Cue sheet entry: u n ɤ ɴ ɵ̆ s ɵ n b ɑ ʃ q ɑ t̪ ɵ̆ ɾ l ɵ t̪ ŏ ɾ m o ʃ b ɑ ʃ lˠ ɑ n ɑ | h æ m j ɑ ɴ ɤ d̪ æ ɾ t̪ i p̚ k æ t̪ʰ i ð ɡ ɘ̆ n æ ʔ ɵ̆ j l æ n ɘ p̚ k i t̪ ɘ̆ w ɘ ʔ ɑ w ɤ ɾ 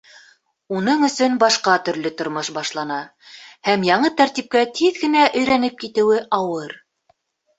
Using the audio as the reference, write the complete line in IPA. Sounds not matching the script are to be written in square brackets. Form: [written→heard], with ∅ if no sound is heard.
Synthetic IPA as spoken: u n ɤ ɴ ɵ̆ s ɵ n b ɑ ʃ q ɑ t̪ ɵ̆ ɾ l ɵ t̪ ŏ ɾ m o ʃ b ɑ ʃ lˠ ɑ n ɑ | h æ m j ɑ ɴ ɤ [d̪→t̪] æ ɾ t̪ i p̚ k æ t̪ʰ i ð ɡ ɘ̆ n æ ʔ ɵ̆ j [l→ɾ] æ n ɘ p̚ k i t̪ ɘ̆ w ɘ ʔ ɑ w ɤ ɾ